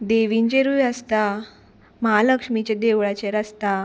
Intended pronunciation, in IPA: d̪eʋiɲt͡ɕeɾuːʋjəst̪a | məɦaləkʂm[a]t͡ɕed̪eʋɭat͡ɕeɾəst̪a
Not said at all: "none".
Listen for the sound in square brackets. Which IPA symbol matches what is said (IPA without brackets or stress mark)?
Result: i